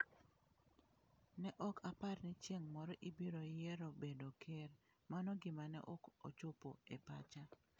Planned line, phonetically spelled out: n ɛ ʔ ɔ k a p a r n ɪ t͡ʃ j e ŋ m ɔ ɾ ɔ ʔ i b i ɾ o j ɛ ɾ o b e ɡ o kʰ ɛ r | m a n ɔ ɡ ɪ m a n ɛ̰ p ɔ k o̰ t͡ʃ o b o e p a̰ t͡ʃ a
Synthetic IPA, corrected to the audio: n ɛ ʔ ɔ k a p a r n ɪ t͡ʃ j e ŋ m ɔ ɾ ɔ ʔ i b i ɾ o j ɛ ɾ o b e d o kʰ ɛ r | m a n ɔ ɡ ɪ m a n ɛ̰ ʔ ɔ k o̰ t͡ʃ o p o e p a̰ t͡ʃ a